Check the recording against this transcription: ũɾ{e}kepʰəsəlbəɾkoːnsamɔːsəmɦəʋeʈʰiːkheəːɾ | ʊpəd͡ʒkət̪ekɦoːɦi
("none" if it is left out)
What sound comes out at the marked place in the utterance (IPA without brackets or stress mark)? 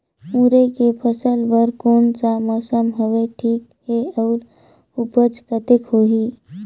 e